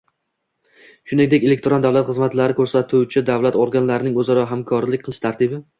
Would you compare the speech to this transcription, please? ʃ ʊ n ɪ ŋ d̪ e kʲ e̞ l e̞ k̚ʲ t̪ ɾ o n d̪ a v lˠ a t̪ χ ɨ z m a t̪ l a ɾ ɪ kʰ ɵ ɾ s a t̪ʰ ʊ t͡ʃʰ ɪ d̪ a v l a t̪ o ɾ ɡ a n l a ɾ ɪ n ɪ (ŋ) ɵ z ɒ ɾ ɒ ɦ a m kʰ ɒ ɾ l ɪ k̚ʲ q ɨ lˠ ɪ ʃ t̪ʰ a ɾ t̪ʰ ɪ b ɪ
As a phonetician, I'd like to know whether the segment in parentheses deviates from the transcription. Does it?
no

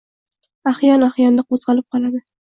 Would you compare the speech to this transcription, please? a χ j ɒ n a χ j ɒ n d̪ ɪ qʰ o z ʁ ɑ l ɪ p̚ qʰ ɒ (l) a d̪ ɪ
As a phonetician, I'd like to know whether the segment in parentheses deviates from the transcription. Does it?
no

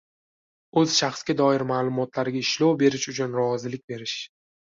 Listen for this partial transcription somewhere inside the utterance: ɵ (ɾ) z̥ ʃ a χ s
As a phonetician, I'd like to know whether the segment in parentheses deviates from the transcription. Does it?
yes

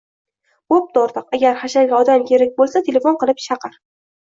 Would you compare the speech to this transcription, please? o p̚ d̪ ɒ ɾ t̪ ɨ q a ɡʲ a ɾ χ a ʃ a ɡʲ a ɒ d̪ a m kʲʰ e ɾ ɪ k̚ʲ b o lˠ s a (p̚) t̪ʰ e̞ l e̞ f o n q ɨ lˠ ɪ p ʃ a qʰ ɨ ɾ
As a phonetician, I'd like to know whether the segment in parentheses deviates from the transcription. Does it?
yes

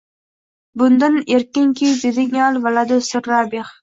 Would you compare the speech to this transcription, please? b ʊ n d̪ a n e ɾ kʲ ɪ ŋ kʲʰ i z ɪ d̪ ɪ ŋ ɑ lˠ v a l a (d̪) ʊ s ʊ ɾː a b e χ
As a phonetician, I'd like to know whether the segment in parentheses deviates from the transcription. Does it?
no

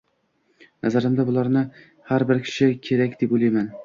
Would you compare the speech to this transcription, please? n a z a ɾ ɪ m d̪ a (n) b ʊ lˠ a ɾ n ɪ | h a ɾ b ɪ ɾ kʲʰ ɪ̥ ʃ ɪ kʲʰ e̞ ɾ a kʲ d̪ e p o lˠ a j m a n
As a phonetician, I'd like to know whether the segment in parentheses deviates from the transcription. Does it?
yes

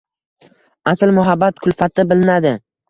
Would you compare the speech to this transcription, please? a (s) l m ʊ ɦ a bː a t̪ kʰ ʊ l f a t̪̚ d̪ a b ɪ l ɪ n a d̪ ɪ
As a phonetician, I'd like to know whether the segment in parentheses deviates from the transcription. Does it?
no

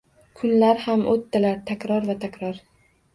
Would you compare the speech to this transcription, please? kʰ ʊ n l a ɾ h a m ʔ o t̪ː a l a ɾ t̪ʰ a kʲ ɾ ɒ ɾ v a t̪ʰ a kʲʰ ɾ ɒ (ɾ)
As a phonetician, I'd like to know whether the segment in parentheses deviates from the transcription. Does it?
no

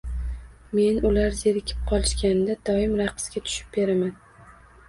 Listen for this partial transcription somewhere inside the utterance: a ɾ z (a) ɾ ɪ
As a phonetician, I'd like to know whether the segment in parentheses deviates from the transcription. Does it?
yes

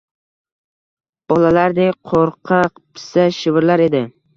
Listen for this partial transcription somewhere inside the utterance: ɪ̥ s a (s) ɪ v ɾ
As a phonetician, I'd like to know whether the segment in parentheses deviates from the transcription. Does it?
yes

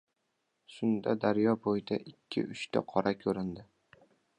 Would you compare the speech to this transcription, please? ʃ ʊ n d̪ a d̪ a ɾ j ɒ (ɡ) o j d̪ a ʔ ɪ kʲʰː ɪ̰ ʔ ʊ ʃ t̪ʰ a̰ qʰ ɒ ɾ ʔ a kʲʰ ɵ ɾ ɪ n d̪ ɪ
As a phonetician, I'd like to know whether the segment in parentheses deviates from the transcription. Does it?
yes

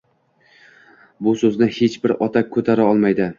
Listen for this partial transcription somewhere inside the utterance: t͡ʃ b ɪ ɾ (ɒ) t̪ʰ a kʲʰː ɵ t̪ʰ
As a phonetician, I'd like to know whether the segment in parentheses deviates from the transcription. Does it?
no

